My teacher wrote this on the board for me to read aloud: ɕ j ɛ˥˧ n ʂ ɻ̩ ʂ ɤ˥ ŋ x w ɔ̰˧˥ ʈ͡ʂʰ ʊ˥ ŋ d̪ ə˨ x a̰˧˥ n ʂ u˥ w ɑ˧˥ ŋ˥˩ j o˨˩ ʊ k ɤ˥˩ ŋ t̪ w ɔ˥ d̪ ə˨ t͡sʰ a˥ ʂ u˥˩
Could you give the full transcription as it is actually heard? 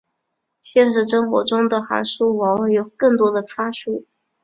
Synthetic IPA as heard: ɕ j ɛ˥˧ n ʂ ɻ̩ ʂ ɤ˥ ŋ x w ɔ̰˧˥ ʈ͡ʂ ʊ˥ ŋ d̪ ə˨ x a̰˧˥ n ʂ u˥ w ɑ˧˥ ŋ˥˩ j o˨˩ ʊ k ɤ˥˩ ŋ t̪ w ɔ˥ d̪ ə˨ t͡sʰ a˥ ʂ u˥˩